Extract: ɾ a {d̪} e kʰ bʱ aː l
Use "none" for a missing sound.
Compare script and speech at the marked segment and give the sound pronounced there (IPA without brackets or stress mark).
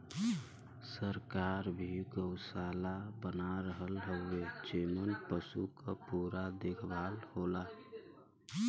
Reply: d̪